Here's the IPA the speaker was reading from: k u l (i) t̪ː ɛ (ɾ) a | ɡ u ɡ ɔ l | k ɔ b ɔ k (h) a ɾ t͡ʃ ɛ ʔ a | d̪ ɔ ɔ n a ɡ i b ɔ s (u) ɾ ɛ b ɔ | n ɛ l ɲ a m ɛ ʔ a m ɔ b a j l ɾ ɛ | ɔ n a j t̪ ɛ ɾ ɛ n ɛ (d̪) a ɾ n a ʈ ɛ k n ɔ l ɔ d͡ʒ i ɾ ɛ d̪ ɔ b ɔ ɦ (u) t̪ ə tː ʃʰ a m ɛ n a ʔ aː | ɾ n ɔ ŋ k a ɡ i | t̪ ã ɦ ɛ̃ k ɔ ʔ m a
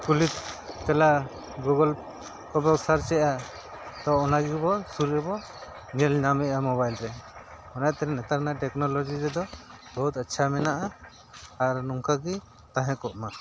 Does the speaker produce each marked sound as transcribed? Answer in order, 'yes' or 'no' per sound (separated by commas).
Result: yes, no, no, yes, no, yes